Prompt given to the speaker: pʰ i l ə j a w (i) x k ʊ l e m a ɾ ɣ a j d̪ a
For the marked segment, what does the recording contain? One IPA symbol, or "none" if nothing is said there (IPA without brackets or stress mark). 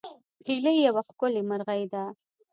a